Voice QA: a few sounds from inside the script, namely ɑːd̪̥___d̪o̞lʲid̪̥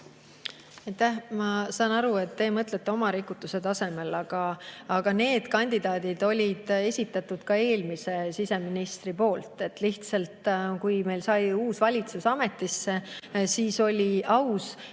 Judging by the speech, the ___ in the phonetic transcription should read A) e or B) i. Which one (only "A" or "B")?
B